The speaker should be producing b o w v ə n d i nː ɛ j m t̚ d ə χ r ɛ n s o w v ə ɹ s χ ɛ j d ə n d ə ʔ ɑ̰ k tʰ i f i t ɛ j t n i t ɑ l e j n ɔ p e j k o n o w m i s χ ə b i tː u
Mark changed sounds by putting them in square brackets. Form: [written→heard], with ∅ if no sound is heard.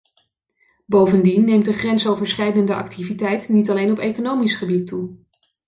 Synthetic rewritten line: b o w v ə n d i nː [ɛ→e] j m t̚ d ə χ r ɛ n s o w v ə ɹ s χ ɛ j d ə n d ə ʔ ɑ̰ k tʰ i [f→v] i t ɛ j t n i t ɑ l e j n ɔ p e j k o n o w m i s χ ə b i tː u